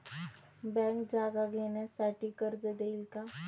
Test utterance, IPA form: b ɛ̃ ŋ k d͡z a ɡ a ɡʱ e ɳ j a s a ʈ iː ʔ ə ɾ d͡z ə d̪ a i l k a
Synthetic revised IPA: b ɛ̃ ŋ k d͡z a ɡ a ɡʱ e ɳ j a s a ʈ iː k ə ɾ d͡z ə d̪ e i l k a